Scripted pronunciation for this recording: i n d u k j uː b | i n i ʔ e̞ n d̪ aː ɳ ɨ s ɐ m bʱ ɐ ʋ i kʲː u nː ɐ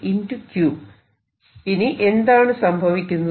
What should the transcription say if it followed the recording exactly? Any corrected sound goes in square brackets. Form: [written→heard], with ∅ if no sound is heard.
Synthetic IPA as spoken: i n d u k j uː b | i n i ʔ e̞ n d̪ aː ɳ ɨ s ɐ m bʱ ɐ ʋ i kʲː u nː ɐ